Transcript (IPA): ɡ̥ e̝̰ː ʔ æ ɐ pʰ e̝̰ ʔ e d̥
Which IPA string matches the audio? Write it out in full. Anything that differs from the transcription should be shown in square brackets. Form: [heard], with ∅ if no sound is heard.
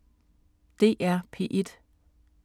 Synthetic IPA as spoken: [d̥] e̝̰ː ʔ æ ɐ pʰ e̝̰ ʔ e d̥